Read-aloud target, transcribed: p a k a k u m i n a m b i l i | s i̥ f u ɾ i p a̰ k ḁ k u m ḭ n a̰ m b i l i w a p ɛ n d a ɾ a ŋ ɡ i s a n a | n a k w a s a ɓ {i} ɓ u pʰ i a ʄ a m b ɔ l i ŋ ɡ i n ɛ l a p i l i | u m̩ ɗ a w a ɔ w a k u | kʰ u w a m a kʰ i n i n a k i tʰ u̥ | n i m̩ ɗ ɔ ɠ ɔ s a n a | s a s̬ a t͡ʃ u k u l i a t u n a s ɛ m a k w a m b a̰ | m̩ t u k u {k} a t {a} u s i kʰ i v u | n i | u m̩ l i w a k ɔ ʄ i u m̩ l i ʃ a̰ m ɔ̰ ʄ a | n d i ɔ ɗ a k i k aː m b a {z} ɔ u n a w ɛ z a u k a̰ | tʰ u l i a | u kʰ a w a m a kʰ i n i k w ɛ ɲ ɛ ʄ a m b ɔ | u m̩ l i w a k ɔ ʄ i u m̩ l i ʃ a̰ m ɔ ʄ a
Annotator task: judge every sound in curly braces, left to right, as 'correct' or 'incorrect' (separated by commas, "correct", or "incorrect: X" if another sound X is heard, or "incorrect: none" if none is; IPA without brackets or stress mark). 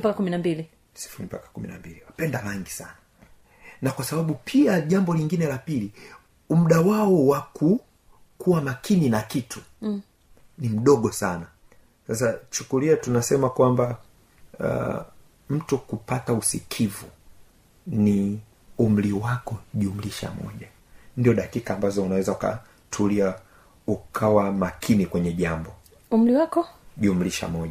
incorrect: a, incorrect: p, correct, correct